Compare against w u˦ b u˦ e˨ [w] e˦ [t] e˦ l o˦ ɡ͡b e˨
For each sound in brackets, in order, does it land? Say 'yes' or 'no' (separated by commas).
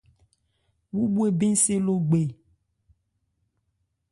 no, no